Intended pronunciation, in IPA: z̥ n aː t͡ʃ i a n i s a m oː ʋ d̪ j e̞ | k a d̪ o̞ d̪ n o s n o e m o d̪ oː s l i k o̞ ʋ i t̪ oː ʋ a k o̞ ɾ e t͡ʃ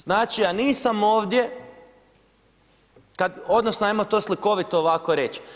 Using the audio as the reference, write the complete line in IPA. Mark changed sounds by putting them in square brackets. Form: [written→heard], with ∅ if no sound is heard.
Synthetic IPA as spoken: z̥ n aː t͡ʃ i a n [i→iː] s a m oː ʋ d̪ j e̞ | k a d̪ o̞ d̪ n o s n o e m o [d̪→t̪] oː s l i k o̞ ʋ i t̪ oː ʋ a k o̞ ɾ e t͡ʃ